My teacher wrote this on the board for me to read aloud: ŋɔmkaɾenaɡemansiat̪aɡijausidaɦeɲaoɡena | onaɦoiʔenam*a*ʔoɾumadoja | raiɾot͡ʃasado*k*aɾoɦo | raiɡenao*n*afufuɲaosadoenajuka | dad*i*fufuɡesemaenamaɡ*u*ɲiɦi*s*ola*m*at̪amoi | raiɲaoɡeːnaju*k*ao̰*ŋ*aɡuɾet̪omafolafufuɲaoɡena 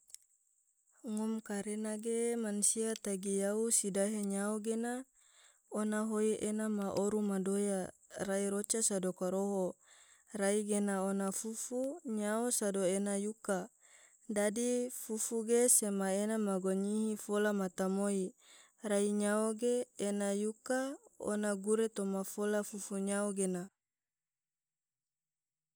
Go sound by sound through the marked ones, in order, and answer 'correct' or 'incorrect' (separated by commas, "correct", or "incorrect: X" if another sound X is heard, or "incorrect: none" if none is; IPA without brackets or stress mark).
correct, correct, correct, correct, incorrect: o, incorrect: f, correct, correct, incorrect: n